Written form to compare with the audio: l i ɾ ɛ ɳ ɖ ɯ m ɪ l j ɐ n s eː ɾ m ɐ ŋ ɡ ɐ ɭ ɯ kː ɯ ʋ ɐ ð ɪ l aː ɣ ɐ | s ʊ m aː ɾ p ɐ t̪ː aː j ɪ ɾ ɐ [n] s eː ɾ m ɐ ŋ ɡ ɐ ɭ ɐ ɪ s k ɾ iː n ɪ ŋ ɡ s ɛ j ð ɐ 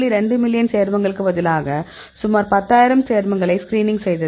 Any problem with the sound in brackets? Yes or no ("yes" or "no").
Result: yes